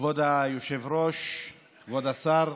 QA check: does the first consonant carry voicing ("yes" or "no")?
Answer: yes